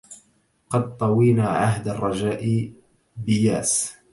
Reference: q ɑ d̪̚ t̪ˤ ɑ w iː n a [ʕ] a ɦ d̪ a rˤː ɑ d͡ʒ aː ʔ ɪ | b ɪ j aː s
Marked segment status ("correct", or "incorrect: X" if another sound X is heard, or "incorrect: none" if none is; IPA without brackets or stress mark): correct